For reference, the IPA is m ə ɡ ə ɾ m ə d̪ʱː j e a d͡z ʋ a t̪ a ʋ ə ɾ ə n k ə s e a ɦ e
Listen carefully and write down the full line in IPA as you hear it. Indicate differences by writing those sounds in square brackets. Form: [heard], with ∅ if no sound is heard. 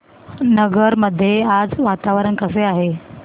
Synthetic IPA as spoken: [n] ə ɡ ə ɾ m ə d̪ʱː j e a d͡z ʋ a t̪ a ʋ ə ɾ ə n k ə s e a ɦ e